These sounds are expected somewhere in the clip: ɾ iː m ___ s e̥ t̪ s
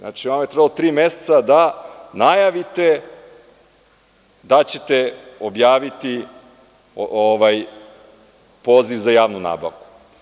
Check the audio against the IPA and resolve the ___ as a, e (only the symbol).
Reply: e